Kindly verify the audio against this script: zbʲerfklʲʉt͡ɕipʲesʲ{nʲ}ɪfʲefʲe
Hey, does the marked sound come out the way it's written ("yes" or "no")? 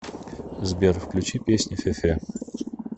yes